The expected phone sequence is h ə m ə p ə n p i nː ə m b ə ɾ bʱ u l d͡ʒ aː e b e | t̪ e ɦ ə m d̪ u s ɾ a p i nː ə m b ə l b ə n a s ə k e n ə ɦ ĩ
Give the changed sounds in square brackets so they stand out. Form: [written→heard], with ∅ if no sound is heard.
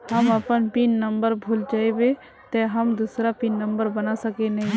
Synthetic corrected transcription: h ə m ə p ə n p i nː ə m b ə ɾ bʱ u l d͡ʒ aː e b e | t̪ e ɦ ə m d̪ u s ɾ a p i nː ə m b ə [l→ɾ] b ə n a s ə k e n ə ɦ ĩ

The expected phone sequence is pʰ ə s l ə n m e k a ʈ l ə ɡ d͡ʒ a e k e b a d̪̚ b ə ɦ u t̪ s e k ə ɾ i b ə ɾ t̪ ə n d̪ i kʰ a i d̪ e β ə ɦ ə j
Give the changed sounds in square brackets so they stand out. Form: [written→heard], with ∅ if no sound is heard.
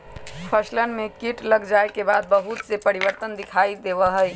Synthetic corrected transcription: pʰ ə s l ə n m e k [a→i] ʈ l ə ɡ d͡ʒ a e k e b a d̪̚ b ə ɦ u t̪ s e [k→p] ə ɾ i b ə ɾ t̪ ə n d̪ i kʰ a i d̪ e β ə ɦ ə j

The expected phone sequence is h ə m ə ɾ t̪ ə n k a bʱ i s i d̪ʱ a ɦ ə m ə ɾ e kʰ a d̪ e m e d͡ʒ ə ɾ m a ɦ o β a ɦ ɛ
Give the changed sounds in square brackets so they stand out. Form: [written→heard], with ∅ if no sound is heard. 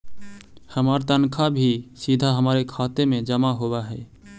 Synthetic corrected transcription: h ə m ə ɾ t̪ ə n [k→kʰ] a bʱ i s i d̪ʱ a ɦ ə m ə ɾ e kʰ a [d̪→t̪] e m e d͡ʒ ə [ɾ→∅] m a ɦ o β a ɦ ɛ

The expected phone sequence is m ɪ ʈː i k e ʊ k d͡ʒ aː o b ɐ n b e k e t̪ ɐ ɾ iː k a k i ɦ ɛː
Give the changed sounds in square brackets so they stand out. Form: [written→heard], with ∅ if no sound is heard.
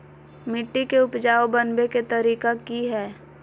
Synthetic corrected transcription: m ɪ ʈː i k e ʊ [k→p] d͡ʒ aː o b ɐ n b e k e t̪ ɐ ɾ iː k a k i ɦ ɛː

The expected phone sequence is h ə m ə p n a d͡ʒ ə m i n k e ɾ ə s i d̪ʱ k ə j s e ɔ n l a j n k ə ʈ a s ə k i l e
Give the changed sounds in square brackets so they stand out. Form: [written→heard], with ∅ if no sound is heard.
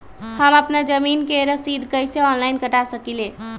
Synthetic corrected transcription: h ə m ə p n a d͡ʒ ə m i n k e ɾ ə s i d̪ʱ k ə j s e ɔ n l a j n k ə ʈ a s ə k i l e

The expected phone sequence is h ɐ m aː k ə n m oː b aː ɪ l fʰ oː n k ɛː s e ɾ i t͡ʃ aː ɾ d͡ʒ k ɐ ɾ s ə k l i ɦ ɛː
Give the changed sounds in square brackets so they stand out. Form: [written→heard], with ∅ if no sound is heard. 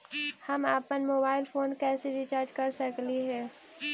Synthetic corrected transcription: h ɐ m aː [k→p] ə n m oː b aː ɪ l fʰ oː n k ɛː s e ɾ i t͡ʃ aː ɾ d͡ʒ k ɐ ɾ s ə k l i ɦ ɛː

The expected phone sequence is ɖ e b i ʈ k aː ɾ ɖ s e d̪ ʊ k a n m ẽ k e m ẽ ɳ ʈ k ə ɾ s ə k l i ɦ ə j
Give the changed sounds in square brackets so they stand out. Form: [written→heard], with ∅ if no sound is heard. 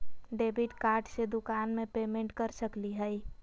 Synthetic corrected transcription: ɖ e b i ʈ k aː ɾ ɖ s e d̪ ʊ k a n m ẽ [k→p] e m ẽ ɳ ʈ k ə ɾ s ə k l i ɦ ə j

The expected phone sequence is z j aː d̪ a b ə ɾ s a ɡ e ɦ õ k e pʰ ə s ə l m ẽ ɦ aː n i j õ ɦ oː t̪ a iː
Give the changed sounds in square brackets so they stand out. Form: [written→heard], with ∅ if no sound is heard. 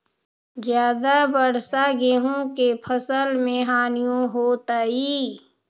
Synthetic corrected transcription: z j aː d̪ a b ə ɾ s a ɡ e ɦ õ k e pʰ ə s ə l m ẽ ɦ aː n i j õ ɦ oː t̪ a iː

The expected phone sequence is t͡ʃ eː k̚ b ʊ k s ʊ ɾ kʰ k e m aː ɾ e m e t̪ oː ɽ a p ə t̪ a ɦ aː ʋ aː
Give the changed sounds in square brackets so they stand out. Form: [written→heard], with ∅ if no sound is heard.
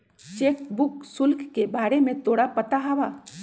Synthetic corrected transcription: t͡ʃ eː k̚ b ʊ k s ʊ [ɾ→l] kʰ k e [m→b] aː ɾ e m [e→ẽ] t̪ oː ɽ a p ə t̪ a ɦ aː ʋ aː

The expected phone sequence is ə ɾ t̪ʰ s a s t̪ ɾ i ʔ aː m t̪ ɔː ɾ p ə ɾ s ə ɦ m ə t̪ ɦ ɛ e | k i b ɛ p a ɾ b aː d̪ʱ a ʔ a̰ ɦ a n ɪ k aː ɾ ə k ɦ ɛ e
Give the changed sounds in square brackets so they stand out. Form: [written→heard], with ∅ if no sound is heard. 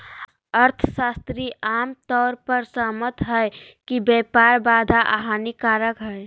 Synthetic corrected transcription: ə ɾ t̪ʰ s a s t̪ ɾ i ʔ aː m t̪ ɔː ɾ p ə ɾ s ə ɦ m ə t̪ ɦ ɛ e | k i b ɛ p a ɾ b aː d̪ʱ a ʔ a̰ ɦ a n [ɪ→i] k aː ɾ ə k ɦ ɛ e

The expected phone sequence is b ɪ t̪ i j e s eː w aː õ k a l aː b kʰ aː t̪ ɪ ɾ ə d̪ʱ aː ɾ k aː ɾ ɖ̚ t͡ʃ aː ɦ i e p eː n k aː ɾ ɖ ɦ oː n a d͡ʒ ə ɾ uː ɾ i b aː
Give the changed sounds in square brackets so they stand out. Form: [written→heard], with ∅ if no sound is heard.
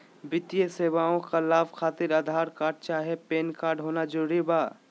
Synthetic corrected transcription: b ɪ t̪ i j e s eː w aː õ k a l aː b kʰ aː t̪ ɪ ɾ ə d̪ʱ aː ɾ k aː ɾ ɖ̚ t͡ʃ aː ɦ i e p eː n k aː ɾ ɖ ɦ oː n a d͡ʒ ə ɾ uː ɾ i b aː

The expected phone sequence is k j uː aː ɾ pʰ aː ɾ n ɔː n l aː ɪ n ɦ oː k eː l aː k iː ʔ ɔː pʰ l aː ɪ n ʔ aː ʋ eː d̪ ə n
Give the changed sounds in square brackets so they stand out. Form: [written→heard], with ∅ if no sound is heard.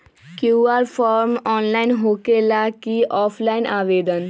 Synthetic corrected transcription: k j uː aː ɾ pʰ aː ɾ [n→m] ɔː n l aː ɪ n ɦ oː k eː l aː k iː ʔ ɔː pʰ l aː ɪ n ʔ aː ʋ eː d̪ ə n

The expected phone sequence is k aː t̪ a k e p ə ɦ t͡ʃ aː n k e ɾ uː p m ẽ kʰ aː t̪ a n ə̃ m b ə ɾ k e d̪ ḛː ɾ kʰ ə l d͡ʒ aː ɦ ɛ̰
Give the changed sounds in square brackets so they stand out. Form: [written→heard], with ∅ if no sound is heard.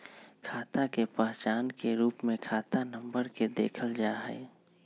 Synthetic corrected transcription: [k→kʰ] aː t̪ a k e p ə ɦ t͡ʃ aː n k e ɾ uː p m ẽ kʰ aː t̪ a n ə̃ m b ə ɾ k e d̪ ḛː [ɾ→∅] kʰ ə l d͡ʒ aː ɦ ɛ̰

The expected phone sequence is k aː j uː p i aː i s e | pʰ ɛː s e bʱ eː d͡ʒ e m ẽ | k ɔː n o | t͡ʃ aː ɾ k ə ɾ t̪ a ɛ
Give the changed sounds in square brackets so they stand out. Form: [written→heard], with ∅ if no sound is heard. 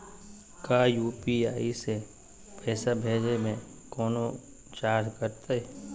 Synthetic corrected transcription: k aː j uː p i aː i s e | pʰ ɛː s [e→a] bʱ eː d͡ʒ e m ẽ | k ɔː n o | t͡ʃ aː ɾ k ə ɾ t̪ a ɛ

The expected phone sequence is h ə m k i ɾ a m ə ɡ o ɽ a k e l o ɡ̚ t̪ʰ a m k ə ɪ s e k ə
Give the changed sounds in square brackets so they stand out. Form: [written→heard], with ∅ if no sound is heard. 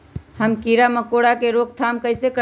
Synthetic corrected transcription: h ə m k i ɾ a m ə [ɡ→k] o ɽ a k e [l→ɾ] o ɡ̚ t̪ʰ a m k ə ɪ s e k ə

